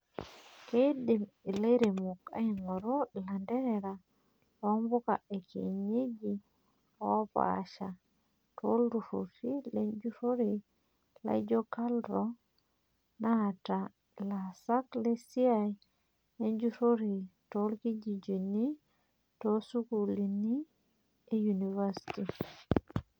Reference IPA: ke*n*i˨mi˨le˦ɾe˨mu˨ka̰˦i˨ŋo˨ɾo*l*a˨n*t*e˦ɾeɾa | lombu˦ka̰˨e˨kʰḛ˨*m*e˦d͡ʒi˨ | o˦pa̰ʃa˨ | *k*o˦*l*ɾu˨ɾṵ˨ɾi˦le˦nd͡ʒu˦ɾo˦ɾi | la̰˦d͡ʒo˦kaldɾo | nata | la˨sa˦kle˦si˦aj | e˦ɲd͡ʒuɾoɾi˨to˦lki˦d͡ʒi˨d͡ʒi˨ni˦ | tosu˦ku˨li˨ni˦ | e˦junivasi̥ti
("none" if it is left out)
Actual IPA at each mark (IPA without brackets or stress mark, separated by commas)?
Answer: d, l, d, ɲ, t, l